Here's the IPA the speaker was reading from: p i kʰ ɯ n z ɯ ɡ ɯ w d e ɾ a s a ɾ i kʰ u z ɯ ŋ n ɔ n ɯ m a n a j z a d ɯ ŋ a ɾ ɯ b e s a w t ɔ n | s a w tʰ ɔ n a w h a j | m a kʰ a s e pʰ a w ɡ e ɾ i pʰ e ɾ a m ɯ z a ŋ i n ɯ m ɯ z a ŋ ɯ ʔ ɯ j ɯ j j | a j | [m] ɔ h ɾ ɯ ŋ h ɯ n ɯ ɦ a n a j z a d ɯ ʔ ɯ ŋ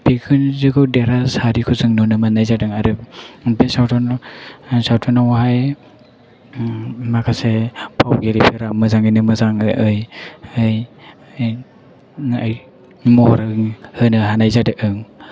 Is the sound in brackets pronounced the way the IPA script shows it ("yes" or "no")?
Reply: yes